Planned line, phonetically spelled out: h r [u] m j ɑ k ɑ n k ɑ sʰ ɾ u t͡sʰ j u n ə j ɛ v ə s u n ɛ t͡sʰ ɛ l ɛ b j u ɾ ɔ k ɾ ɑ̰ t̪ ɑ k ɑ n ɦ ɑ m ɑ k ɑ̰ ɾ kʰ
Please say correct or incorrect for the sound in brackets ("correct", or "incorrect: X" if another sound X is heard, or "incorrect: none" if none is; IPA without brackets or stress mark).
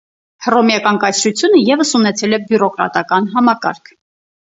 incorrect: ɔ